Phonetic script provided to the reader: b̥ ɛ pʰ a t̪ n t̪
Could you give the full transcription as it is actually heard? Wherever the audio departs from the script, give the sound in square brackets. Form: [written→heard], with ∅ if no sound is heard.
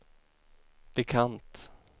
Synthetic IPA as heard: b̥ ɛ [pʰ→kʰ] a [t̪→∅] n t̪